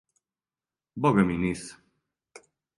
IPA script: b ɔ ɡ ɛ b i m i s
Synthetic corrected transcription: b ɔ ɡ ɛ m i n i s